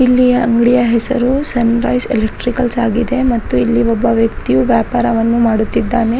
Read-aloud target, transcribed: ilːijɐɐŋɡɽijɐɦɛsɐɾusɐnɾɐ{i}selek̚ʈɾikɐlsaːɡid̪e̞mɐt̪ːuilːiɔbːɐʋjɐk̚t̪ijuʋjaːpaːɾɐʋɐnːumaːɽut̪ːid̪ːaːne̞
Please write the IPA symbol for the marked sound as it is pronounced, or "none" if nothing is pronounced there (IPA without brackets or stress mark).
j